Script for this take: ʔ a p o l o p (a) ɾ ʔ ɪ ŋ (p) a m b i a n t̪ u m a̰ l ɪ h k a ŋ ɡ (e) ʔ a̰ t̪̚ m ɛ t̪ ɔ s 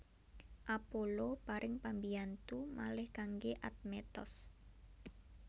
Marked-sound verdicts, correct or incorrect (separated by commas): correct, correct, correct